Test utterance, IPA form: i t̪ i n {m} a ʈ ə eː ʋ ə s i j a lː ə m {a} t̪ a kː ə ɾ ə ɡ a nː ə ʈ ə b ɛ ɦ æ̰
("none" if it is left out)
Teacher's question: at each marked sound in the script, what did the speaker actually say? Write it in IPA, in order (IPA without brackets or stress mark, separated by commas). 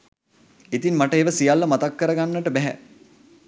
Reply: m, a